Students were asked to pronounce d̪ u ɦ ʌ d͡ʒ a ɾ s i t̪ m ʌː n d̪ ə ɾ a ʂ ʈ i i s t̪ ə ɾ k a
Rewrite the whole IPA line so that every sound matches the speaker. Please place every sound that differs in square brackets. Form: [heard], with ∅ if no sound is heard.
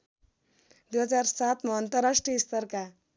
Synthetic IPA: d̪ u ɦ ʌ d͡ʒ a ɾ s [a] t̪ m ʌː n [t̪] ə ɾ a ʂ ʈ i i s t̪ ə ɾ k a